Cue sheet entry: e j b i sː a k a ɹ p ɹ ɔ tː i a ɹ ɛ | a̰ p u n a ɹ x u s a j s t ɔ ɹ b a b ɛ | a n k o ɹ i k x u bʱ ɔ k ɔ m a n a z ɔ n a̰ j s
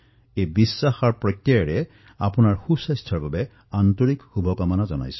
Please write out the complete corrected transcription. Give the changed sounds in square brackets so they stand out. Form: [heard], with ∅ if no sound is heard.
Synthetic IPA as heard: e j b i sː a [x] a ɹ p ɹ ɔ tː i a ɹ ɛ | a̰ p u n a ɹ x u s a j s [tʰ] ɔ ɹ b a b ɛ | a n [t] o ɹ i k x u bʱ ɔ k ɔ m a n a z ɔ n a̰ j s